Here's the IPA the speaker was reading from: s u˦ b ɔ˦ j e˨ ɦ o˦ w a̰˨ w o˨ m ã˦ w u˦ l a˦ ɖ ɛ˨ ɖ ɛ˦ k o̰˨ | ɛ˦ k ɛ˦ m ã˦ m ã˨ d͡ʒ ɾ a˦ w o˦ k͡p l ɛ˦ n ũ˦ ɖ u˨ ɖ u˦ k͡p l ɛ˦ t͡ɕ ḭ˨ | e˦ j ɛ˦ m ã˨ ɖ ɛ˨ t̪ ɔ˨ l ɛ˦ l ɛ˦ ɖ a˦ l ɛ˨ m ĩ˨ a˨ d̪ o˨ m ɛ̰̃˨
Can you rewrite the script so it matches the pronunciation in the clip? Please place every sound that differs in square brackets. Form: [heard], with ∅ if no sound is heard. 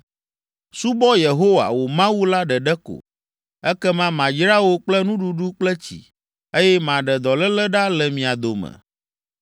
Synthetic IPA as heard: s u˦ b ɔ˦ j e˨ ɦ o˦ w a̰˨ w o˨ m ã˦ w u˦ l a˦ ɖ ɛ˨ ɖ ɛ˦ k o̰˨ | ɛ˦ k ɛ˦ m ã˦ m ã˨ d͡ʒ ɾ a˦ w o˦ k͡p l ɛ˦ n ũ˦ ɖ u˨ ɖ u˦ k͡p l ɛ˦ t͡ɕ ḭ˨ | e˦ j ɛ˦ m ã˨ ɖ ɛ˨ [d̪] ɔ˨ l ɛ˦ l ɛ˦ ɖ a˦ l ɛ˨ m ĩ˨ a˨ d̪ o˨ m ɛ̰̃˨

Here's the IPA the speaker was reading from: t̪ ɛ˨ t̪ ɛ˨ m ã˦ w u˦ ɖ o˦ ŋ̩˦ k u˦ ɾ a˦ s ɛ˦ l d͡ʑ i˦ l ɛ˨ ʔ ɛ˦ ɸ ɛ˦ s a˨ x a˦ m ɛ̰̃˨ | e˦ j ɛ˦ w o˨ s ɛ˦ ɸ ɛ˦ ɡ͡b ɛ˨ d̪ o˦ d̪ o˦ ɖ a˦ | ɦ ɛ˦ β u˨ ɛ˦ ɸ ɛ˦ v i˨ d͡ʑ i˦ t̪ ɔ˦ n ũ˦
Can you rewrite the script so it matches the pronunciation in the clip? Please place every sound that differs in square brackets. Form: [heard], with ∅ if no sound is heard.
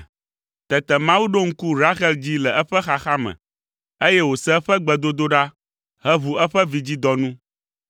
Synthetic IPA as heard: t̪ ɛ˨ t̪ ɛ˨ m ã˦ w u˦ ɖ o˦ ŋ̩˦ k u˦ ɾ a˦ [x] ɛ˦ l d͡ʑ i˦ l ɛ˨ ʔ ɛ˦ ɸ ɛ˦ [x] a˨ x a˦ m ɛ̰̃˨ | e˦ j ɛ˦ w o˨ s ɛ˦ ɸ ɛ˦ ɡ͡b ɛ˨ d̪ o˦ d̪ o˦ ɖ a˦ | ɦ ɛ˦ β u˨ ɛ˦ ɸ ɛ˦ v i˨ d͡ʑ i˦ [d̪] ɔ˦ n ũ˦

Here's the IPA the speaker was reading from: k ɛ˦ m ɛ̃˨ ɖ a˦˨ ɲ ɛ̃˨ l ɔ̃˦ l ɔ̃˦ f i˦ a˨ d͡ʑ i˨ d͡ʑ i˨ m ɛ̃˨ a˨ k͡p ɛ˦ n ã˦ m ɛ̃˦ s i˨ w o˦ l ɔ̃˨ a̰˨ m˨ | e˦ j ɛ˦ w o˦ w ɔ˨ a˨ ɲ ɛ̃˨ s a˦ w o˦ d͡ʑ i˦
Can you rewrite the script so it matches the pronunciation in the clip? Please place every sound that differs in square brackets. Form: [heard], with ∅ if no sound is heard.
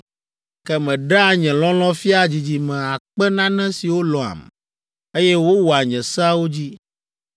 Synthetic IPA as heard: k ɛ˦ m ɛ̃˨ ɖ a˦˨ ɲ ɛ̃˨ l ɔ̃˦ l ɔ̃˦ f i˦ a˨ d͡ʑ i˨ d͡ʑ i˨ m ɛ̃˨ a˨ k͡p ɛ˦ n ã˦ [n] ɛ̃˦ s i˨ w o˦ l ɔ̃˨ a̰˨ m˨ | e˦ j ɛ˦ w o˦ w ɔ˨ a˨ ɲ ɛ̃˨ s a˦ w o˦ d͡ʑ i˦

